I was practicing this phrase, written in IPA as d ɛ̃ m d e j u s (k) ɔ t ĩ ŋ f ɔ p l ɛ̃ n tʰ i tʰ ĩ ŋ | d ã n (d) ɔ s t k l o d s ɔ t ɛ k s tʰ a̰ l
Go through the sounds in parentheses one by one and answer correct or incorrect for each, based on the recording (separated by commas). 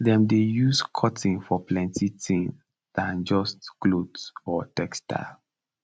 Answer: incorrect, incorrect